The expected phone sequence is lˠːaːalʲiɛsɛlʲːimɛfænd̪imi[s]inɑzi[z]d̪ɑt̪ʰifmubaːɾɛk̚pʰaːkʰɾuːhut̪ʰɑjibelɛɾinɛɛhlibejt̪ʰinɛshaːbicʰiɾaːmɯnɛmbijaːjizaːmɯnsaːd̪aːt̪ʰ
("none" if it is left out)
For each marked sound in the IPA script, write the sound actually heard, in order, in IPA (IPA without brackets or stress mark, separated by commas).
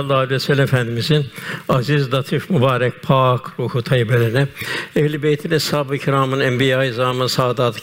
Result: z, z